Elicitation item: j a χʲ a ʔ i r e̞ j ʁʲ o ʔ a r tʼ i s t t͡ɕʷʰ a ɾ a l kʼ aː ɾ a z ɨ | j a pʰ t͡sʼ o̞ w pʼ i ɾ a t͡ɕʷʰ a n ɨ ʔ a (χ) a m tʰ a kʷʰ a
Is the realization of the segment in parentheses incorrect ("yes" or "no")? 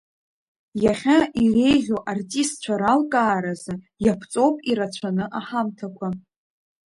yes